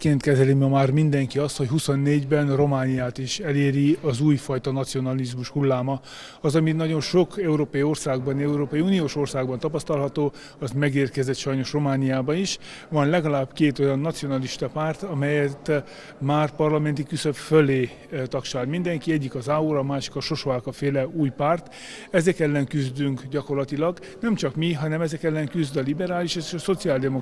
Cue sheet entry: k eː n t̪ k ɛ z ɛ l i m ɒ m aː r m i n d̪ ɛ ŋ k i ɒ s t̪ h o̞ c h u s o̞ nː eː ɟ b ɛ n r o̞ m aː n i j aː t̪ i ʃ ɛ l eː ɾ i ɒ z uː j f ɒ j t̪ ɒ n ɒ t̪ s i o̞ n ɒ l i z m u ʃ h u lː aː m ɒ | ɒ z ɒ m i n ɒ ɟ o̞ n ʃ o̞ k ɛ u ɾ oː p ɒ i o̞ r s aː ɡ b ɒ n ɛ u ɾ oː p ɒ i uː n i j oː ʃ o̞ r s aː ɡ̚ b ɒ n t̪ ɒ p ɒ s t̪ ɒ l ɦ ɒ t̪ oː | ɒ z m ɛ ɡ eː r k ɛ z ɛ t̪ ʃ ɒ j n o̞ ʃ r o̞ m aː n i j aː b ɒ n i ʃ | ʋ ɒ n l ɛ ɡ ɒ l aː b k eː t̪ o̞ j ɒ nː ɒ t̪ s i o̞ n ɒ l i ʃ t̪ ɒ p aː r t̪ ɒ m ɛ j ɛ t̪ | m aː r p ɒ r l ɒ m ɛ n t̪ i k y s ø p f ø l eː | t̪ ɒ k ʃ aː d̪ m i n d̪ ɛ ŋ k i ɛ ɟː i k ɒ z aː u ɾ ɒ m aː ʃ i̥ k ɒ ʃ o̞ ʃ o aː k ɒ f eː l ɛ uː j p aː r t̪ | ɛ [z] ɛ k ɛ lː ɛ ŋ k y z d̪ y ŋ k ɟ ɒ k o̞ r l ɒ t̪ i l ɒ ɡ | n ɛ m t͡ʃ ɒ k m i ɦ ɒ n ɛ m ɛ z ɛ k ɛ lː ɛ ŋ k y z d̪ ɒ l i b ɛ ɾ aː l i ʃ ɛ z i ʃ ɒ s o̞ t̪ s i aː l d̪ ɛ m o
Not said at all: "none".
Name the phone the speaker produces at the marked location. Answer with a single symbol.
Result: z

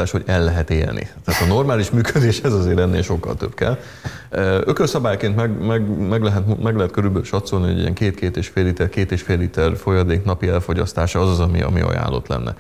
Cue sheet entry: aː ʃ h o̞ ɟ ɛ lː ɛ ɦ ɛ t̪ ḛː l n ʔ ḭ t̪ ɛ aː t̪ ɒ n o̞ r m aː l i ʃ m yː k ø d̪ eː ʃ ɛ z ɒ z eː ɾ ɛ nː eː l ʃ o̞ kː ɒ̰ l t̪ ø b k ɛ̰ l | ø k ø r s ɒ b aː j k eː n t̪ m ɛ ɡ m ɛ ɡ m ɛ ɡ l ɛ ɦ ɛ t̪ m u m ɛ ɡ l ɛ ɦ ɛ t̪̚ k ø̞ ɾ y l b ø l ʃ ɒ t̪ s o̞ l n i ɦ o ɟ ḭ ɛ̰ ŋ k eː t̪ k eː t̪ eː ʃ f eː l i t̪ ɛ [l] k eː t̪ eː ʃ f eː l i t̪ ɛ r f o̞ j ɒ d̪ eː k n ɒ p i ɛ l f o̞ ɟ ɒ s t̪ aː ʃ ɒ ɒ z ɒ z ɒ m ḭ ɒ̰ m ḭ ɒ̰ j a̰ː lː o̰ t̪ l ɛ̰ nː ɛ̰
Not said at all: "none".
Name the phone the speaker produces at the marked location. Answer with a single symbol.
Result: r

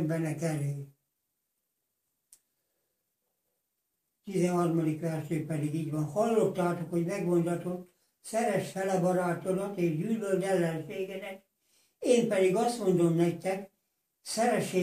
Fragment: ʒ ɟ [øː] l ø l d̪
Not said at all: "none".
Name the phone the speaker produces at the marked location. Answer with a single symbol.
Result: yː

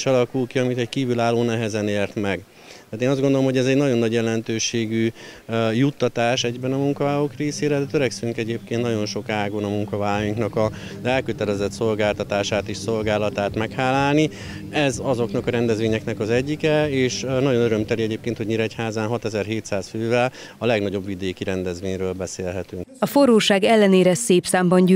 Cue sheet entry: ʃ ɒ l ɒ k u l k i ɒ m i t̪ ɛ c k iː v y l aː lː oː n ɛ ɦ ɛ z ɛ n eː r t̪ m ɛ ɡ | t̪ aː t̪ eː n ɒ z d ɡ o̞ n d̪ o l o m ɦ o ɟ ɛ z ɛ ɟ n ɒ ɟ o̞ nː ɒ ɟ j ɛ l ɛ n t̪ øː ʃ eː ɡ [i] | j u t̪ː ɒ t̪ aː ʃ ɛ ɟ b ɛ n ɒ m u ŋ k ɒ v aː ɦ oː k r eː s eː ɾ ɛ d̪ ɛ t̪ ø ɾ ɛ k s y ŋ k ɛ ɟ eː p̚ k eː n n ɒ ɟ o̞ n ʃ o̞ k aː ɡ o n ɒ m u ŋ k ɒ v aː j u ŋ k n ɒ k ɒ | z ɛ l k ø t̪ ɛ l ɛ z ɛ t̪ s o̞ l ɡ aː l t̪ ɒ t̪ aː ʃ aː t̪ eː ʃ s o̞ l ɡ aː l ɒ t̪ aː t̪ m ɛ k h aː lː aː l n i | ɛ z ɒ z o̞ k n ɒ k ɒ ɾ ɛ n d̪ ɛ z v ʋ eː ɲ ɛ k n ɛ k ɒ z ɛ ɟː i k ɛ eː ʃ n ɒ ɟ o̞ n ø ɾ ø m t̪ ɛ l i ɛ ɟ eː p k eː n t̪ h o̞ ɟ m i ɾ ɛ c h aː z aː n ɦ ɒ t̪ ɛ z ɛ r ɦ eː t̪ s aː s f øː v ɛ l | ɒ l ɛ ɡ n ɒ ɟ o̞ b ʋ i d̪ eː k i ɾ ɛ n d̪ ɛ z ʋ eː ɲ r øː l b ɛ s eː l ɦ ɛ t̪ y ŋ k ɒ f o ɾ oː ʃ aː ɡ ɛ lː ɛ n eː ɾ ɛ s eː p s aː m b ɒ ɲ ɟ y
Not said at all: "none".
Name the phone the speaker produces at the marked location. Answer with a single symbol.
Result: y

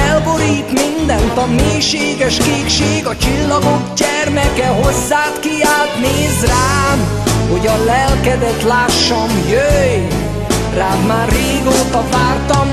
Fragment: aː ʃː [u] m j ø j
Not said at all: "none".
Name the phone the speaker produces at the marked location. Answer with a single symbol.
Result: ɒ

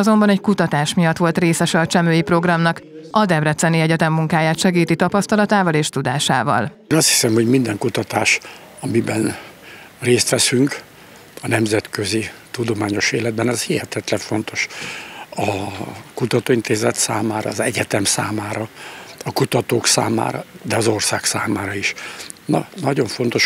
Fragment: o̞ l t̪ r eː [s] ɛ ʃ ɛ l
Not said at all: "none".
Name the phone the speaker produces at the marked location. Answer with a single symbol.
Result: s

